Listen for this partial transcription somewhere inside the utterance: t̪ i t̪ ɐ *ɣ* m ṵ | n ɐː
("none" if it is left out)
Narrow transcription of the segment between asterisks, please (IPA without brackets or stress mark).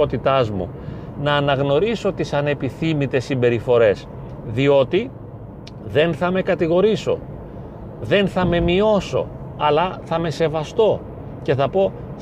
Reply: z